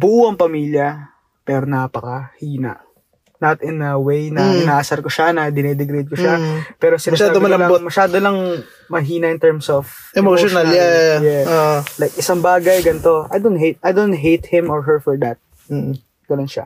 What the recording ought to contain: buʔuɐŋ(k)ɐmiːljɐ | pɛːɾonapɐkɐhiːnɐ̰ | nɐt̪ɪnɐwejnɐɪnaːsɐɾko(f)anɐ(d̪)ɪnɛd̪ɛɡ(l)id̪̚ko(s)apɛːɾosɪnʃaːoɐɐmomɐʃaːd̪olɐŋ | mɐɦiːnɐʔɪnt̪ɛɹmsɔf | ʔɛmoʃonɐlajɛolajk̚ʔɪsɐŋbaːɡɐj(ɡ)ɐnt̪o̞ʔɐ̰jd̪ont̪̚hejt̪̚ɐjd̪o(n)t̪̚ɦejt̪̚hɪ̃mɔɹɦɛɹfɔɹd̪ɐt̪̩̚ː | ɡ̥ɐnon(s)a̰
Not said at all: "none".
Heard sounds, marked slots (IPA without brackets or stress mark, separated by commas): p, ʃ, d̪, ɾ, ʃ, ɡ, n, ʃ